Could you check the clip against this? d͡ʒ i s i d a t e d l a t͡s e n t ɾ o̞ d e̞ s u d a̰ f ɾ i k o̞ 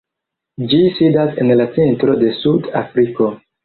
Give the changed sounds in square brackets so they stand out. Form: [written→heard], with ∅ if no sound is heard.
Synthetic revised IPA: d͡ʒ i s i d a [t→s] e [d→n] l a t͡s e n t ɾ o̞ d e̞ s u d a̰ f ɾ i k o̞